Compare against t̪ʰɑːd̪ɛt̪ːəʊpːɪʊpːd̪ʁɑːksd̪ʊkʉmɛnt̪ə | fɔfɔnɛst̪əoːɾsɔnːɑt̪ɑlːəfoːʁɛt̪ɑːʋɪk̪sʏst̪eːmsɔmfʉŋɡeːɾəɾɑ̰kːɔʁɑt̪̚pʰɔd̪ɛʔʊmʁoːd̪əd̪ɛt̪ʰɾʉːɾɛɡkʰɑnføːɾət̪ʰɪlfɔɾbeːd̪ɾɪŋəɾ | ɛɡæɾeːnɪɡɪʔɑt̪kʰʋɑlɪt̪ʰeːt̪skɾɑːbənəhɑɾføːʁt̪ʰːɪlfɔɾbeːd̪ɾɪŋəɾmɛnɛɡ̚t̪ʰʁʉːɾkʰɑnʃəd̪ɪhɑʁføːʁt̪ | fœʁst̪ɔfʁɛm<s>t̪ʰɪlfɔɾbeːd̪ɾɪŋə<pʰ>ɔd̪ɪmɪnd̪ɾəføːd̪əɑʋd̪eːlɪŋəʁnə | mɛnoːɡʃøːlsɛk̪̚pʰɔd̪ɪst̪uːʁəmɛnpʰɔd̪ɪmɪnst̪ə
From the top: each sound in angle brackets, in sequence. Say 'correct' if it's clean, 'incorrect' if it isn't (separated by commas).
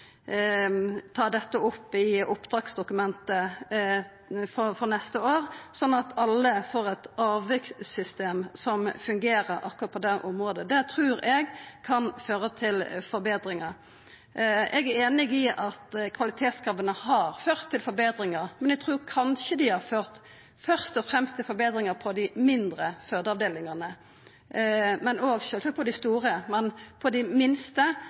correct, correct